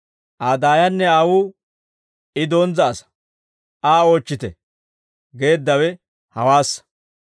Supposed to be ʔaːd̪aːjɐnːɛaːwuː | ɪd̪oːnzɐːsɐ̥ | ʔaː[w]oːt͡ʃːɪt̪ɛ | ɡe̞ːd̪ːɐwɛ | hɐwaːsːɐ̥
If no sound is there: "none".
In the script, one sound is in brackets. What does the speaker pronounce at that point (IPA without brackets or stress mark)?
none